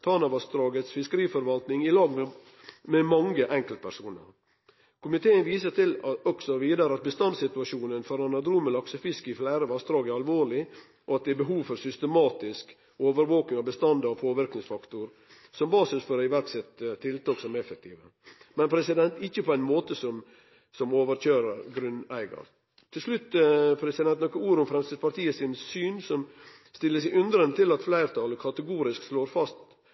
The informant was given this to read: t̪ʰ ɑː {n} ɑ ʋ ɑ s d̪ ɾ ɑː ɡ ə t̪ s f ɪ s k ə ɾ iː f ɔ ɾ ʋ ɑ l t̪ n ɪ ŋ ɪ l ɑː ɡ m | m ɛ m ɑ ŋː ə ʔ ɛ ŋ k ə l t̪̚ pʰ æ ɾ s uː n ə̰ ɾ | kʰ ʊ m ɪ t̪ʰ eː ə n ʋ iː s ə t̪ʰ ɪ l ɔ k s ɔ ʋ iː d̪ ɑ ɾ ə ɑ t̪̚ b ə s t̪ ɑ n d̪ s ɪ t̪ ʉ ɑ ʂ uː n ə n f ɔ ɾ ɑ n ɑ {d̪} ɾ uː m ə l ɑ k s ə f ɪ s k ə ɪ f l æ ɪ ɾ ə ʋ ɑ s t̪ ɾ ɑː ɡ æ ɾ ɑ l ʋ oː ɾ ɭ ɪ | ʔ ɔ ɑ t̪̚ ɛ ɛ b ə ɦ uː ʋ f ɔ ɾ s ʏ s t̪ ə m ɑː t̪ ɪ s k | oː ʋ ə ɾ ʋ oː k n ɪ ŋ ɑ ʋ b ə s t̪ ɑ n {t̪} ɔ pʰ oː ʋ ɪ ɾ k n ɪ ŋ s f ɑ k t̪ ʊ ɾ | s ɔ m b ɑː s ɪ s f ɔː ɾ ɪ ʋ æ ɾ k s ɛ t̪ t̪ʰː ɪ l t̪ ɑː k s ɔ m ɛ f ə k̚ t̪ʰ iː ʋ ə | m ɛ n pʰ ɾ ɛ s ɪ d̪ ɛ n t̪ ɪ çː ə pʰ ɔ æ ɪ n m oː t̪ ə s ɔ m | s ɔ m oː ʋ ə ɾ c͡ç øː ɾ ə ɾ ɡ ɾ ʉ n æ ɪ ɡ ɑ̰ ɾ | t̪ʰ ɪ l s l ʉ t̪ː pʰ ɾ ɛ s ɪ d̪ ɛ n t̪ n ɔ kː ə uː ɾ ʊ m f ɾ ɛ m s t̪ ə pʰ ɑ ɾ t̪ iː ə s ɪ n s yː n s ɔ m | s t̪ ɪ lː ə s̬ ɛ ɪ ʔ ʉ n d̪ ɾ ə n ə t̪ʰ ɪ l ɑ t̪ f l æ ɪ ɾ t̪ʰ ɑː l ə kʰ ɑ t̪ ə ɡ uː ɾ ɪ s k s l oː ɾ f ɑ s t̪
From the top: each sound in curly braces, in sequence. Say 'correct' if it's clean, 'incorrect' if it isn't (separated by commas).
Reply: correct, correct, incorrect